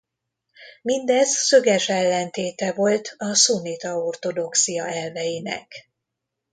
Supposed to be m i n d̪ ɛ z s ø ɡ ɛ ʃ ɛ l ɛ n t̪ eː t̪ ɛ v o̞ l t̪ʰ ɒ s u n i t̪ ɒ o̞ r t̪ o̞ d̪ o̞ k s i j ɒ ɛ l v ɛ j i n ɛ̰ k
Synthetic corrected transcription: m i n d̪ ɛ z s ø ɡ ɛ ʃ ɛ lː ɛ n t̪ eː t̪ ɛ v o̞ l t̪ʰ ɒ s u n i t̪ ɒ o̞ r t̪ o̞ d̪ o̞ k s i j ɒ ɛ l v ɛ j i n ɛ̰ k